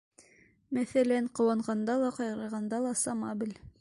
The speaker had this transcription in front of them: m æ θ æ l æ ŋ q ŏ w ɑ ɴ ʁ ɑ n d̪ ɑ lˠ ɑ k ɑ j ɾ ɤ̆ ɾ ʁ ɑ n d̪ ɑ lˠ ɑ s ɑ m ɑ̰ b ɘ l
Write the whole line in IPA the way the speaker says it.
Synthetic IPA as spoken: m æ θ æ l æ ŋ q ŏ w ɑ ɴ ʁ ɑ n d̪ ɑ lˠ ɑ q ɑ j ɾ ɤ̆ ɾ ʁ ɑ n d̪ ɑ lˠ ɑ s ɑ m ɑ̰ b ɘ l